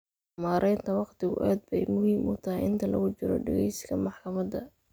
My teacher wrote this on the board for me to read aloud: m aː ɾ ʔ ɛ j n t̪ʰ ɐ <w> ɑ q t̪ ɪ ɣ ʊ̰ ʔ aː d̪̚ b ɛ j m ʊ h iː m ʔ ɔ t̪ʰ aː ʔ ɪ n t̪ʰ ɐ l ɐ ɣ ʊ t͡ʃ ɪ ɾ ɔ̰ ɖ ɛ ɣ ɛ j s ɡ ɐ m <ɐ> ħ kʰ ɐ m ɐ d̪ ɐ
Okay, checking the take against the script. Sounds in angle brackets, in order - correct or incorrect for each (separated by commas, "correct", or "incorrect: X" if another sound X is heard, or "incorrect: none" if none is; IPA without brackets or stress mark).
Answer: correct, incorrect: ɑ